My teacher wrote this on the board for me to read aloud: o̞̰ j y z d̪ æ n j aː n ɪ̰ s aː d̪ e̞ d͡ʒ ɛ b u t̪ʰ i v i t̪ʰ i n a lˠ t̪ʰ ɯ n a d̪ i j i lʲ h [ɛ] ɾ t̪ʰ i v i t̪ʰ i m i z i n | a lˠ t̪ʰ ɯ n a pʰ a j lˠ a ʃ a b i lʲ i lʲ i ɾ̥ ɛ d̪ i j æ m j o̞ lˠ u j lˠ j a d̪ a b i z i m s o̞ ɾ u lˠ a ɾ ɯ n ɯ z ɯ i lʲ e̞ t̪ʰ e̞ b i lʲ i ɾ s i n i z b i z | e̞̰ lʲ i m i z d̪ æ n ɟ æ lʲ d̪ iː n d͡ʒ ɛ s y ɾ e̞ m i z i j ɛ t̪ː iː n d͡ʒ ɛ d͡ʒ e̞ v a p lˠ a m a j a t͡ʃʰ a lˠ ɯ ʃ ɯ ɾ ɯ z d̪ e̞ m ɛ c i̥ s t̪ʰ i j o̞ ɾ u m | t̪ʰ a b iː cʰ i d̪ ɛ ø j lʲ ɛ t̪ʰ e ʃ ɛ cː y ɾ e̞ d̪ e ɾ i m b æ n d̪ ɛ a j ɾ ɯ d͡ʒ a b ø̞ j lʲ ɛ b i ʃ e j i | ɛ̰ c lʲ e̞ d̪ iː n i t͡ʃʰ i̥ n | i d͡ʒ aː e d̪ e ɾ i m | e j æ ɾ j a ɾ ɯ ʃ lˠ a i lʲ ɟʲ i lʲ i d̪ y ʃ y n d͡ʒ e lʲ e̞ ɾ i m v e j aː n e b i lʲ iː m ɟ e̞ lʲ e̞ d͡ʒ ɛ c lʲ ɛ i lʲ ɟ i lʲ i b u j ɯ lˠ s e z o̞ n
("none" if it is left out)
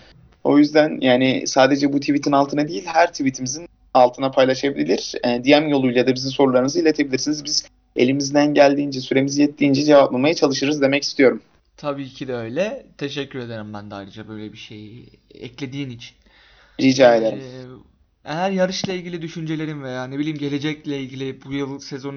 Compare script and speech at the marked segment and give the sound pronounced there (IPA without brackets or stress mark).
æ